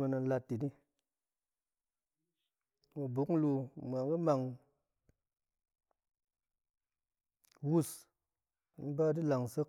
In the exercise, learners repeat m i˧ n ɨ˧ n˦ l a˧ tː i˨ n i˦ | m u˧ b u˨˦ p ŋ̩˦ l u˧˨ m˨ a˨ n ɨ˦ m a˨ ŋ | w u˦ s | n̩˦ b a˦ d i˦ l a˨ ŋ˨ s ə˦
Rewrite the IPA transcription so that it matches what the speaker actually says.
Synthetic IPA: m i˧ n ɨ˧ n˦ l a˧ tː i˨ n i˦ | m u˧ b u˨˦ k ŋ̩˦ l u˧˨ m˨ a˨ ŋ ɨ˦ m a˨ ŋ | w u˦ s | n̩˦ b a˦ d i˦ l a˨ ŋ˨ s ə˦